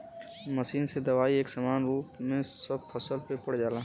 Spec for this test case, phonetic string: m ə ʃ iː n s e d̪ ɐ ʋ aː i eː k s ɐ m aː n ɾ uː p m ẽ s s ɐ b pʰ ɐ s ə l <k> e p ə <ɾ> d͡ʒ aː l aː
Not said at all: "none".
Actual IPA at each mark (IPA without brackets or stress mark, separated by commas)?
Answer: p, ɽ